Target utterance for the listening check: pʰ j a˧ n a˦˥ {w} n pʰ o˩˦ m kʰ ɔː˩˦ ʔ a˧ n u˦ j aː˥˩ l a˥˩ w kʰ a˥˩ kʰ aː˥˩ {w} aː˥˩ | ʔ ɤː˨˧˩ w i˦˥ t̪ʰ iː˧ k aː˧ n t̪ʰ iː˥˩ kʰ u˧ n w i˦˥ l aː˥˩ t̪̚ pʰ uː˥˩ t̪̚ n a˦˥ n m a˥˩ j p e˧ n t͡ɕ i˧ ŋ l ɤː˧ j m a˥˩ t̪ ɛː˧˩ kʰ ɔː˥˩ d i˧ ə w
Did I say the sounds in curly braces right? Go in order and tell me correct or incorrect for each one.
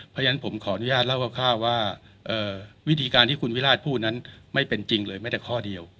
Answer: incorrect: none, correct

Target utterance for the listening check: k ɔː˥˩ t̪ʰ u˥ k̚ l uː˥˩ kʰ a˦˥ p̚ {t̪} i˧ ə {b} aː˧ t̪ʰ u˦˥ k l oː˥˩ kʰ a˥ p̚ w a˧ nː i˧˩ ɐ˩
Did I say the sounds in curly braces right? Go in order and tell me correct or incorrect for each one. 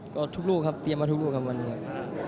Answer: correct, incorrect: m

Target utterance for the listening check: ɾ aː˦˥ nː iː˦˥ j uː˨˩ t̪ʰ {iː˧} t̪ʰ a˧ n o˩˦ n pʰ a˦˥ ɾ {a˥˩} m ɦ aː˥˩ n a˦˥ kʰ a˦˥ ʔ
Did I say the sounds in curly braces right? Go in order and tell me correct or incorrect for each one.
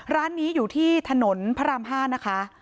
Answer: incorrect: iː˥˩, incorrect: a˧

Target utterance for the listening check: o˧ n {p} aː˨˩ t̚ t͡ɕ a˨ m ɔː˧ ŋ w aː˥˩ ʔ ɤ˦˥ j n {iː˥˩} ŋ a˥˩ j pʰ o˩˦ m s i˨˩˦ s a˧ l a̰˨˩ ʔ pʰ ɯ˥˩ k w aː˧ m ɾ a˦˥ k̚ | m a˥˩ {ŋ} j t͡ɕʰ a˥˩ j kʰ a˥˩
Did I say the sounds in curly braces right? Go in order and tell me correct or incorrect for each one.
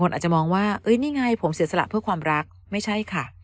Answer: incorrect: ʔ, correct, incorrect: none

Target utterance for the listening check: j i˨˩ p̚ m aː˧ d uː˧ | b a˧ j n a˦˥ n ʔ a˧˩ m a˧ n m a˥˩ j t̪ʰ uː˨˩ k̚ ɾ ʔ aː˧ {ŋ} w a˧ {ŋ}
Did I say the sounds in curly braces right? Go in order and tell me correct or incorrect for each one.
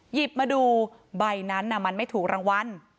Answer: correct, incorrect: n

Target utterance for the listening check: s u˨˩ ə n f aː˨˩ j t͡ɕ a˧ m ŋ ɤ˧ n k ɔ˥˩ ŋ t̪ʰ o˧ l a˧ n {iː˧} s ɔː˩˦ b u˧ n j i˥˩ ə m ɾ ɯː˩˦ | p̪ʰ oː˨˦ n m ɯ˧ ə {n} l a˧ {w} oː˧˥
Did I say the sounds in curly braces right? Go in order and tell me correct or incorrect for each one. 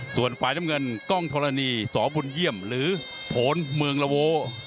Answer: correct, incorrect: ŋ, correct

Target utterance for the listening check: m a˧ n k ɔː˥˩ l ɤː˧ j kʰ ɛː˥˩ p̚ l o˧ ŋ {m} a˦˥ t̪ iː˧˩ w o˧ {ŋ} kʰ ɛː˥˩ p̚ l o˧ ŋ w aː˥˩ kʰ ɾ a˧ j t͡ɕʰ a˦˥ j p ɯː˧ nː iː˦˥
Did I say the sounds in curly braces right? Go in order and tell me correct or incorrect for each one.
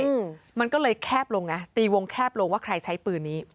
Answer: incorrect: n, correct

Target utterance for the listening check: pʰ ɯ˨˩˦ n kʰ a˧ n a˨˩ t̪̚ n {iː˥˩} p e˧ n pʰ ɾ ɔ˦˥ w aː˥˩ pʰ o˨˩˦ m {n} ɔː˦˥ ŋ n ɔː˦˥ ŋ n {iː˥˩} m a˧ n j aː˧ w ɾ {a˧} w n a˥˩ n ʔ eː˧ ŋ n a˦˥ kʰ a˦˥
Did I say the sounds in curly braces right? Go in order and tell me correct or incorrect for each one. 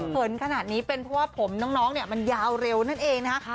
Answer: incorrect: iː˦˥, correct, incorrect: i˥˩, incorrect: e˧

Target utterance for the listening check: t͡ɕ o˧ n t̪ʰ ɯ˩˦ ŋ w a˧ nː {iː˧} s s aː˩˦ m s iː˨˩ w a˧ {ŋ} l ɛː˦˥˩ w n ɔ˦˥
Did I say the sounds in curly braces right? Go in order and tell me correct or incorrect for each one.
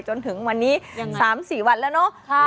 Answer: incorrect: iː˦˥, incorrect: n

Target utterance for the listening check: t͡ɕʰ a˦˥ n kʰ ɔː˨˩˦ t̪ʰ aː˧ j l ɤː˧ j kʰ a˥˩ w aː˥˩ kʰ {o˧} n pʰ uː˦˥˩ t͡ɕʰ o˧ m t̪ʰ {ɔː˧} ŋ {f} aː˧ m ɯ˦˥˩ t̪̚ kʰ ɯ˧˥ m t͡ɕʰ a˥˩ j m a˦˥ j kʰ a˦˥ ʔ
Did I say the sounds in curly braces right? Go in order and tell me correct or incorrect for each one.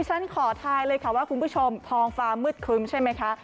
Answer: incorrect: u˧, correct, correct

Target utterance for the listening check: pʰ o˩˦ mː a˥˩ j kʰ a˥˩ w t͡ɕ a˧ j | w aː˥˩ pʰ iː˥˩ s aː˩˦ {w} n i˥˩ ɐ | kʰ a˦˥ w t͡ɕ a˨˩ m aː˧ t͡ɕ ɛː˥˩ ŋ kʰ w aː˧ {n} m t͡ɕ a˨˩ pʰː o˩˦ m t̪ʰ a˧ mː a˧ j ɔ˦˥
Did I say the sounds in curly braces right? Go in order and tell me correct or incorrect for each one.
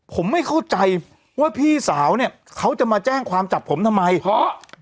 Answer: correct, incorrect: none

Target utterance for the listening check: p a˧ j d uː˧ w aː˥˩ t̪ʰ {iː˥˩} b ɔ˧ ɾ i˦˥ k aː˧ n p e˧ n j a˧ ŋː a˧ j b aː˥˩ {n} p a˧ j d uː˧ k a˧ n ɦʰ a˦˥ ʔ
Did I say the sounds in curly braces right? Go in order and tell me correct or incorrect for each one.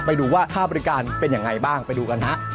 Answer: incorrect: aː˥˩, incorrect: ŋ

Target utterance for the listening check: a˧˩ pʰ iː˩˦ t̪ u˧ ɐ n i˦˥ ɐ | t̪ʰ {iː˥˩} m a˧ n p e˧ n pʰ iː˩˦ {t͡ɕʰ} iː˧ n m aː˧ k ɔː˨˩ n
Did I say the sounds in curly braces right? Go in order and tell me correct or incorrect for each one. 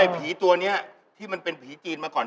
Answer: correct, incorrect: t͡ɕ

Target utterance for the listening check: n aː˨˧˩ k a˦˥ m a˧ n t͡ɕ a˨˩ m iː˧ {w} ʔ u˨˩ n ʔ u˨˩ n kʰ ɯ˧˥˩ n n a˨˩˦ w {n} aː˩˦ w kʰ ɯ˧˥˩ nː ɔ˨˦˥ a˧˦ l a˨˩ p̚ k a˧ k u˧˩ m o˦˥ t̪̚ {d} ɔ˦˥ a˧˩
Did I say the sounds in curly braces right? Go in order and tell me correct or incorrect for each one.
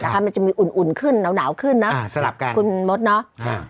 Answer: incorrect: none, correct, incorrect: n

